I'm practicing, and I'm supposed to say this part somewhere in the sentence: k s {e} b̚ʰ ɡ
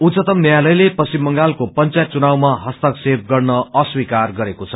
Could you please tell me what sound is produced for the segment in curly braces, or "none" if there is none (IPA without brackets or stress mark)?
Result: e